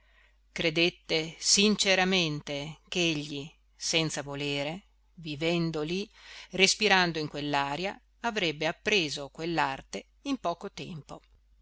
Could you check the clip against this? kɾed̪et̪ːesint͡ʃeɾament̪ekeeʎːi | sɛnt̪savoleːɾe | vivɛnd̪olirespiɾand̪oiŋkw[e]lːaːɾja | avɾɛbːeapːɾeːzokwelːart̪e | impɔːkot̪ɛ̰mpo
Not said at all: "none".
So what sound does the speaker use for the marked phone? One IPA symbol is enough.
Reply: e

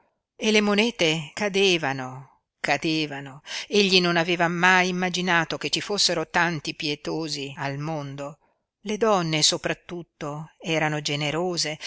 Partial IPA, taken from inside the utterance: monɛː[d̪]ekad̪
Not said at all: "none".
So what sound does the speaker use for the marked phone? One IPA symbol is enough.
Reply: t̪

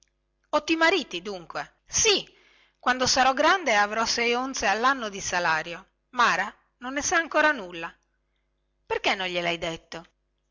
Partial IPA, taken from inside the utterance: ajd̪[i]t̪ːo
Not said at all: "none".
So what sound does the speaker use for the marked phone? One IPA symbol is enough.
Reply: e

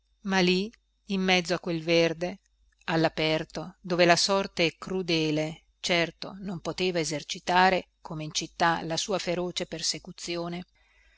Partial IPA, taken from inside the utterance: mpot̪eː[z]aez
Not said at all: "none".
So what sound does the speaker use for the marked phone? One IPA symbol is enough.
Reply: v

